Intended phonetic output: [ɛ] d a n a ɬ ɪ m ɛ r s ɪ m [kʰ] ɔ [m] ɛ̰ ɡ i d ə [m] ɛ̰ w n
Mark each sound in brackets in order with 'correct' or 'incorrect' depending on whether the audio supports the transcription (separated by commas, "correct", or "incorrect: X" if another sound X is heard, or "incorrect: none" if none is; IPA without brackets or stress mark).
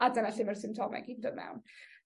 incorrect: a, incorrect: tʰ, correct, correct